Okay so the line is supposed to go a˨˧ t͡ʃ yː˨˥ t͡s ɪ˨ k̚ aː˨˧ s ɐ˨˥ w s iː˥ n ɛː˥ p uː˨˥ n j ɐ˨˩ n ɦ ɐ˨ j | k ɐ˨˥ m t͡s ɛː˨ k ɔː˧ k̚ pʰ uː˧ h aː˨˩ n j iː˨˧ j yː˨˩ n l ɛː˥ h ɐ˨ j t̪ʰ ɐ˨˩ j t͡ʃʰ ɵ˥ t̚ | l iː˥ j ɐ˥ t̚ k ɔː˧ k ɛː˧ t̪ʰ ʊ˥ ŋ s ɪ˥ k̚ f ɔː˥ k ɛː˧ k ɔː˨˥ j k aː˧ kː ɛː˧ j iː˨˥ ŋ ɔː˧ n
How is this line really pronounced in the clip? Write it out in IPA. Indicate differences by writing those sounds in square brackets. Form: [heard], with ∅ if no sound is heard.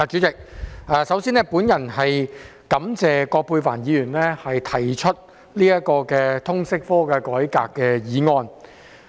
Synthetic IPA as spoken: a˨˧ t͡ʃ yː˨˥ t͡s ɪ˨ k̚ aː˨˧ s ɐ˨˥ w s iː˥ n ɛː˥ p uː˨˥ n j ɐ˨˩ n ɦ ɐ˨ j | k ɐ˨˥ m t͡s ɛː˨ k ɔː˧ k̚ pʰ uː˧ [f] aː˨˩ n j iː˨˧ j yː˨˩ n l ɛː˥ h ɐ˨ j t̪ʰ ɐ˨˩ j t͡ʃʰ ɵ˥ t̚ | l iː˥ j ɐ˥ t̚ k ɔː˧ k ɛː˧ t̪ʰ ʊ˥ ŋ s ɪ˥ k̚ f ɔː˥ k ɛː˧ k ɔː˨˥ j k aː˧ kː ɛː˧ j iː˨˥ ŋ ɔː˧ n